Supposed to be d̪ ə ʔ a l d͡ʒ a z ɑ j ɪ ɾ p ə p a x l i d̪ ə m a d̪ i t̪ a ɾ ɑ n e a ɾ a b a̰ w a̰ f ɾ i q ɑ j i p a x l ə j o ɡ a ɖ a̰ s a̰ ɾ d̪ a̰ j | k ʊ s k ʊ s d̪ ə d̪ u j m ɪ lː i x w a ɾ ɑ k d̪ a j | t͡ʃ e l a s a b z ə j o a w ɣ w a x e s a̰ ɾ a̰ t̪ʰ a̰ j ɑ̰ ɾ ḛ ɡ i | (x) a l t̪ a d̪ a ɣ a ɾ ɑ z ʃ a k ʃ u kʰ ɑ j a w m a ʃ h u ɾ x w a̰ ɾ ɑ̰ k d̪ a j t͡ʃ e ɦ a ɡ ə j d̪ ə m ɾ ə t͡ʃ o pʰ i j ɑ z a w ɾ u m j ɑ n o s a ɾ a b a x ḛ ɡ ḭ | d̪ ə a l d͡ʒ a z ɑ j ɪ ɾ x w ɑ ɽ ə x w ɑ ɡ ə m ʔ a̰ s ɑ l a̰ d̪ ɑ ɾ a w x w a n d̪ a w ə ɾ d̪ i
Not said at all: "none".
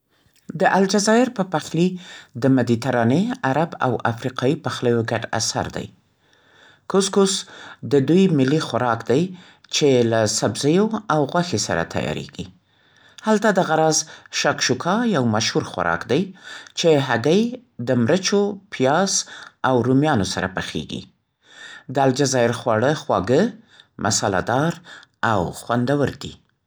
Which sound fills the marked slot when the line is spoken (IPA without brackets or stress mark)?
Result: h